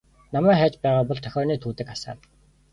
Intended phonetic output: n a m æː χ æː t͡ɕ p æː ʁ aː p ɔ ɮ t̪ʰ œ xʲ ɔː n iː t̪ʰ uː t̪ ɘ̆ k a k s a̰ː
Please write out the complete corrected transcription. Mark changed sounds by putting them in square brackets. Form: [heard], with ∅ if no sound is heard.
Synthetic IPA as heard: n a m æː χ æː t͡ɕ p æː ʁ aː p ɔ ɮ t̪ʰ œ xʲ ɔː n iː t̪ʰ uː t̪ ɘ̆ k a [∅] s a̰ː